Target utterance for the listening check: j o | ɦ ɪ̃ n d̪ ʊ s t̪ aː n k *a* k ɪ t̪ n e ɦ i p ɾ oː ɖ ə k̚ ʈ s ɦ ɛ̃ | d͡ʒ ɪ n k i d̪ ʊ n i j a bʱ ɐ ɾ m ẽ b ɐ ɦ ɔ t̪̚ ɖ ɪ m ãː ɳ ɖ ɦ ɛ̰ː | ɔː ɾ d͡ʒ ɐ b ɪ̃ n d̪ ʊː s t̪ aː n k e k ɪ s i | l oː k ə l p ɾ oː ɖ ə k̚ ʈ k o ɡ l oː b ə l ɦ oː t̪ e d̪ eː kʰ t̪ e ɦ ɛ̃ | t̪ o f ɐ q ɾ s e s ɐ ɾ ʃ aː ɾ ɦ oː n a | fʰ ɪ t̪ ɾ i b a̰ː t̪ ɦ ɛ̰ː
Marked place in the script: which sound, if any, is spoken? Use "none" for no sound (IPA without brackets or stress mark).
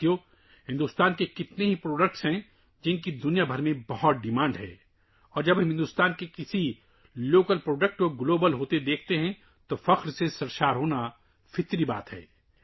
e